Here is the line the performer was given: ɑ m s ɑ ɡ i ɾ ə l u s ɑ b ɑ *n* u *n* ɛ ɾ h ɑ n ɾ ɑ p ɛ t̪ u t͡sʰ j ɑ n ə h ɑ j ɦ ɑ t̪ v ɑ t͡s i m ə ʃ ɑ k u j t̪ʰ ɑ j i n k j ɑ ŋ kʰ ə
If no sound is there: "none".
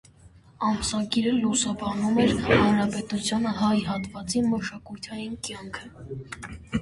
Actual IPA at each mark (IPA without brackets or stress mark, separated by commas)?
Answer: n, m